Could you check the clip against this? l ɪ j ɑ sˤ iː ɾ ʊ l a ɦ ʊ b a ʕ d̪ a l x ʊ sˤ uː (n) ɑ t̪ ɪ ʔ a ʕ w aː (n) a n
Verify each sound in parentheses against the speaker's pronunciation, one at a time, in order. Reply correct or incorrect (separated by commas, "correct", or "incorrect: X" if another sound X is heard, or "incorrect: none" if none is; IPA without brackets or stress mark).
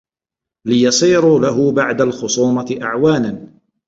incorrect: m, correct